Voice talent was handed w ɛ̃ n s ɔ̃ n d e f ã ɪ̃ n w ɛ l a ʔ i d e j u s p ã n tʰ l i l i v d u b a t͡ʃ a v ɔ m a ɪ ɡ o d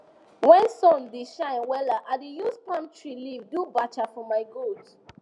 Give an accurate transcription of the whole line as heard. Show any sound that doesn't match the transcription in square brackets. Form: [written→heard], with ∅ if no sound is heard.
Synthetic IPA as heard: w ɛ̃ n s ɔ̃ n d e [f→ʃ] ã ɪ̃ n w ɛ l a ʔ [i→a] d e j u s p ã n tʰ [l→ɹ] i l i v d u b a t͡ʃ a [v→f] ɔ m a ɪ ɡ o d